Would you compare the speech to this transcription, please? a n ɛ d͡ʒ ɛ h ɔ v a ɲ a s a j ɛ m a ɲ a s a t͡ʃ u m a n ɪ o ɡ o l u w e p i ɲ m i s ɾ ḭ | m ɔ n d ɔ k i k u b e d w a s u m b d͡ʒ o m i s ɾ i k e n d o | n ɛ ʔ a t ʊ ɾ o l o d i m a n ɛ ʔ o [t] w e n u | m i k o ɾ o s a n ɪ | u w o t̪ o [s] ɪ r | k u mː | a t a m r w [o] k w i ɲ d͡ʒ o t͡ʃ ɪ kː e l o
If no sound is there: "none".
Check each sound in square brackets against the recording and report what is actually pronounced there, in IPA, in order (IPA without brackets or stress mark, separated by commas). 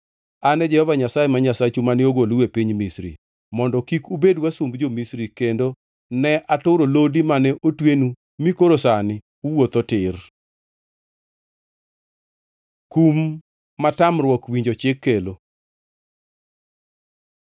t, t, ɔ